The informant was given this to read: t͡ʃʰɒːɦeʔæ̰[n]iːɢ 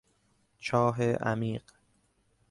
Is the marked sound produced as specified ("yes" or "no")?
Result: no